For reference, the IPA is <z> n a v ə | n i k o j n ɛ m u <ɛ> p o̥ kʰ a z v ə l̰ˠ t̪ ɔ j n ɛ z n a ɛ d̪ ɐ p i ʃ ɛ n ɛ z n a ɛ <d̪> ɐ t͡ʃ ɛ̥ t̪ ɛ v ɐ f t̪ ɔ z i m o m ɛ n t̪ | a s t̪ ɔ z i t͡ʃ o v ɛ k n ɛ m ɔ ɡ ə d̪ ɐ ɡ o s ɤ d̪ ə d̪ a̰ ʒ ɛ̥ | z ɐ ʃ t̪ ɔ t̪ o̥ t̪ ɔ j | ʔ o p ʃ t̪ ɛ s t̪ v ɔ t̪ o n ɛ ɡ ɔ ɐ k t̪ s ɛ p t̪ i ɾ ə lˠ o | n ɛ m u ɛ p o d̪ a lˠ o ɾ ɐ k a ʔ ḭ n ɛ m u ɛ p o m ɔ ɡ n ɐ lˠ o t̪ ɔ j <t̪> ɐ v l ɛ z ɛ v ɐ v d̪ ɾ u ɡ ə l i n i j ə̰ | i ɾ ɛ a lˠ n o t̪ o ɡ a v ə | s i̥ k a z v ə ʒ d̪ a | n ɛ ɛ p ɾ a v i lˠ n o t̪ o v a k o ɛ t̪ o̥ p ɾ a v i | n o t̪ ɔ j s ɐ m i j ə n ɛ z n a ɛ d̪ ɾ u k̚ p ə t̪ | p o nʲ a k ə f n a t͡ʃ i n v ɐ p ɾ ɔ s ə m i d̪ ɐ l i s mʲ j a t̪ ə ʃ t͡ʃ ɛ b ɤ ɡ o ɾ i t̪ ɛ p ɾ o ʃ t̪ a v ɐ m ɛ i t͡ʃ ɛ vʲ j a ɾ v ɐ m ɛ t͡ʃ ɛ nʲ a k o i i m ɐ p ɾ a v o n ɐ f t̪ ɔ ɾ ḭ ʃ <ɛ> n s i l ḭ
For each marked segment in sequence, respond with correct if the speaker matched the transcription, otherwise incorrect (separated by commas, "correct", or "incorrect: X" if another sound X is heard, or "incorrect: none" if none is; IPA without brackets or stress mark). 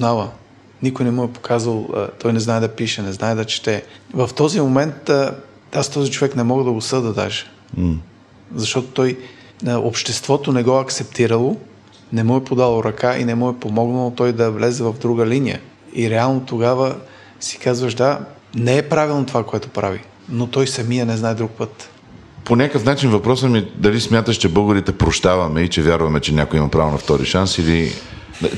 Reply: correct, correct, correct, incorrect: d̪, incorrect: a